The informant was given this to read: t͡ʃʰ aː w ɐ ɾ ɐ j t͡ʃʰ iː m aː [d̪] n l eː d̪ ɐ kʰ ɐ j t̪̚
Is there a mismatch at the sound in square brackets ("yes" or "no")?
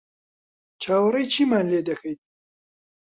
yes